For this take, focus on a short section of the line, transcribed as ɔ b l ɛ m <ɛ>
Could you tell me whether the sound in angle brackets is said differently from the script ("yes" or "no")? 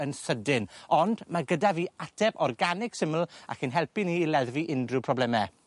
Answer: no